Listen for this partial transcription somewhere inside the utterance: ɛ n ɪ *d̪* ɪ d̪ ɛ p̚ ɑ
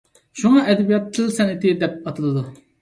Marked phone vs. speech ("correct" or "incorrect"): incorrect